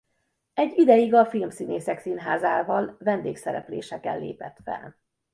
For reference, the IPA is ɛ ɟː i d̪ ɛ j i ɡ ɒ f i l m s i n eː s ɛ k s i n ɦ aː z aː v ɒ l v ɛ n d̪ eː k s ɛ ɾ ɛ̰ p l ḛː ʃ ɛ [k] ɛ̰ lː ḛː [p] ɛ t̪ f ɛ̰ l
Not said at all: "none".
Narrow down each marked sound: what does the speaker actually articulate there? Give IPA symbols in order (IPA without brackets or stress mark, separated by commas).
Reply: k, p